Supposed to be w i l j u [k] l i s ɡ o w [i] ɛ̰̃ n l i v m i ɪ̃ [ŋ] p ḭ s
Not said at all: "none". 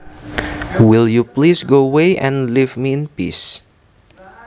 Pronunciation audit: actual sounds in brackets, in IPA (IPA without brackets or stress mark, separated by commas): p, e, n